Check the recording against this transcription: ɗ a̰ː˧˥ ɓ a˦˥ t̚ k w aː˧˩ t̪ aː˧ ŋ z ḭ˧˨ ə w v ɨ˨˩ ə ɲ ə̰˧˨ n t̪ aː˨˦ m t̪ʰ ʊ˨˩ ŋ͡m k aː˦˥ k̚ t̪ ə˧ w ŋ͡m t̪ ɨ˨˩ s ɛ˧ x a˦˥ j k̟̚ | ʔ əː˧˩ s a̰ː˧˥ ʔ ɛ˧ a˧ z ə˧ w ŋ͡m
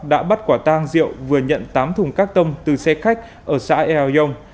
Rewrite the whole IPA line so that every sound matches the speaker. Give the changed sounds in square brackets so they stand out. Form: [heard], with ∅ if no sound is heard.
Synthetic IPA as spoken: ɗ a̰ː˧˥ ɓ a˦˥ t̚ k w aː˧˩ t̪ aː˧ ŋ z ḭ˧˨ ə w v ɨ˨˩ ə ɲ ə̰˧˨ n t̪ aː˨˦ m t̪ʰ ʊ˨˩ ŋ͡m k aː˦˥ k̚ t̪ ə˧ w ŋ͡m t̪ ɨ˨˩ s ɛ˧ x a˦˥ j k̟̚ | ʔ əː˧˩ s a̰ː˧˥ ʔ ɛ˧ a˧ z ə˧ w ŋ͡m